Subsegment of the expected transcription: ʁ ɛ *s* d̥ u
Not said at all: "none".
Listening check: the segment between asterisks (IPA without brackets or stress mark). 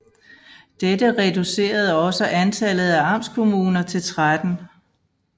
none